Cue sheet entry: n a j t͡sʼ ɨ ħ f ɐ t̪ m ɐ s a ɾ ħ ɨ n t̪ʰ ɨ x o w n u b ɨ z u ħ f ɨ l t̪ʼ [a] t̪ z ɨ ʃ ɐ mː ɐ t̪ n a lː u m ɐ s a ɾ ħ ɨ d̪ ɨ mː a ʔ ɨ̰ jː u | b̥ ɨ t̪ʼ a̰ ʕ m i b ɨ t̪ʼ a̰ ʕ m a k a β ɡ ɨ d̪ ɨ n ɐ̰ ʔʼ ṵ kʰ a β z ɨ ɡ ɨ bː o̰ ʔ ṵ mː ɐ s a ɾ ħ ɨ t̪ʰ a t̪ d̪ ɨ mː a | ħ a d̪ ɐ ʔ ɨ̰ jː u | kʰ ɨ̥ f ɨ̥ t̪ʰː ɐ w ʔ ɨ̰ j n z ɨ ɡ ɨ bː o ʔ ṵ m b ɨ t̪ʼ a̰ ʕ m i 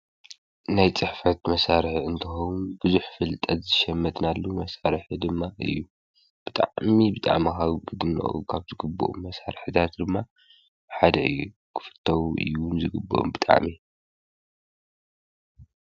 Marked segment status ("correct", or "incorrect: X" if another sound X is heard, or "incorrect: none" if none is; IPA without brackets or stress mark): incorrect: ɐ